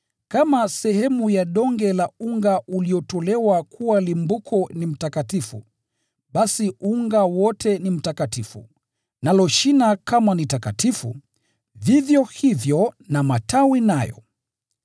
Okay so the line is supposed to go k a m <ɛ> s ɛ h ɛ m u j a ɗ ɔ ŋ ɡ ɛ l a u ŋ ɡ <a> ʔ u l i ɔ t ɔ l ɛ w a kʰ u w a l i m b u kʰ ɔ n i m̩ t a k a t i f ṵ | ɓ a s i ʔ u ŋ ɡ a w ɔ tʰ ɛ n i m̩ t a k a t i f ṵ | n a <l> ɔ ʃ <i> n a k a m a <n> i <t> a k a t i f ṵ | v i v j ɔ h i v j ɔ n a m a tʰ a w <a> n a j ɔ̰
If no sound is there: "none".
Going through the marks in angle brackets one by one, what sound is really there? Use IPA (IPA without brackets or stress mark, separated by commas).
a, a, l, i, n, t, i